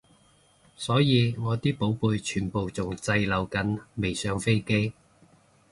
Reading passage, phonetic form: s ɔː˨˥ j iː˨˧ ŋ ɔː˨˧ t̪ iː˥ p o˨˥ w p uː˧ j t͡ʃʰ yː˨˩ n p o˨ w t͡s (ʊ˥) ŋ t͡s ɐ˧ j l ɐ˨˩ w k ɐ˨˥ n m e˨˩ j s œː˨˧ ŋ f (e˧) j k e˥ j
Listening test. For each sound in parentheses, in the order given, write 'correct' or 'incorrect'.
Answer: incorrect: ʊ˨, incorrect: e˥

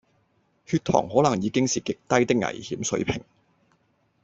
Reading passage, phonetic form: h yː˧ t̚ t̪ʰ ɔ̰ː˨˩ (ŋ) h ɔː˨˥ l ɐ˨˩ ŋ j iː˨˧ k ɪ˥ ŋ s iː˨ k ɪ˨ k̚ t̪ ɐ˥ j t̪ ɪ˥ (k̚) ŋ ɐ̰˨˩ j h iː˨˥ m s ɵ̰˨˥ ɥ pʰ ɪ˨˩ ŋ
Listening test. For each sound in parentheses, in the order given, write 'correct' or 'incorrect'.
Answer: correct, correct

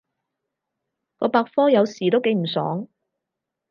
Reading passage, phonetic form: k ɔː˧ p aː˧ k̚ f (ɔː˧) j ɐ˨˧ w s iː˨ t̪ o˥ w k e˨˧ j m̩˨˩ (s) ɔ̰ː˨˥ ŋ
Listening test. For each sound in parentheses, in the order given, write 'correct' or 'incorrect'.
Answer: incorrect: ɔː˥, correct

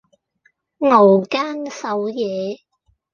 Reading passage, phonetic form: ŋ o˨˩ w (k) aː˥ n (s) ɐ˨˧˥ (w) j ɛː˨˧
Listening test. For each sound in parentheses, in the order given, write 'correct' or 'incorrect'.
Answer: correct, correct, correct

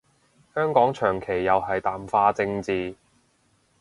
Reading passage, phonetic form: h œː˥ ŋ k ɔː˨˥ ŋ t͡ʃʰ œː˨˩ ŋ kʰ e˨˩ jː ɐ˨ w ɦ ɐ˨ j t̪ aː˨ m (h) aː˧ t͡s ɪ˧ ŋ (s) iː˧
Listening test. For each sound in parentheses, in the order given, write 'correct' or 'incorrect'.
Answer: incorrect: f, incorrect: t͡s

